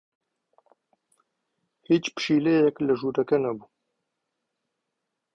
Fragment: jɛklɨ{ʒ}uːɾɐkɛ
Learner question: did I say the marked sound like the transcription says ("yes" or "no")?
yes